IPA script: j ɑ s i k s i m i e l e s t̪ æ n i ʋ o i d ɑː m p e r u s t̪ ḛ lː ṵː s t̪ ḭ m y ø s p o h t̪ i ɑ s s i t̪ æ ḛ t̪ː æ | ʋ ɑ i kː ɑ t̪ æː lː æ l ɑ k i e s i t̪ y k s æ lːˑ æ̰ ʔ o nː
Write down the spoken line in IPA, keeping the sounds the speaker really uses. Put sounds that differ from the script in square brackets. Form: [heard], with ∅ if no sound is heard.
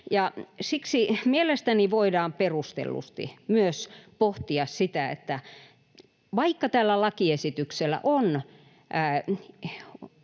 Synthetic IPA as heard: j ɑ s i k s i m i e l e s t̪ æ n i ʋ o i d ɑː m p e r u s t̪ ḛ lː [ṵ] s t̪ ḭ m y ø s p o h t̪ i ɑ s s i t̪ æ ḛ t̪ː æ | ʋ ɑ i kː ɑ t̪ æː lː æ l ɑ k i e s i t̪ y k s [e] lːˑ æ̰ ʔ o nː